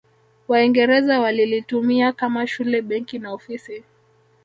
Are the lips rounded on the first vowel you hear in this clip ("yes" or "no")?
no